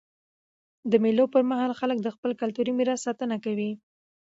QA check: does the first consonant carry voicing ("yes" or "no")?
yes